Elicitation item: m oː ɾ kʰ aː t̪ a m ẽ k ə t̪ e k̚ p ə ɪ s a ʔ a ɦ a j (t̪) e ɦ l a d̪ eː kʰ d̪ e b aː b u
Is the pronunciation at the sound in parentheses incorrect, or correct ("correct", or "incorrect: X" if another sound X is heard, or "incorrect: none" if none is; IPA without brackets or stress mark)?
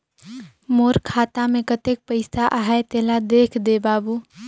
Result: correct